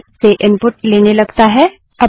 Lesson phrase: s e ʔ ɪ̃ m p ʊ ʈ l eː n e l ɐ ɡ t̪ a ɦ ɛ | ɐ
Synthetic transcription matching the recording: s e ʔ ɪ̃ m p ʊ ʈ l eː n e l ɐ ɡ t̪ a ɦ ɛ | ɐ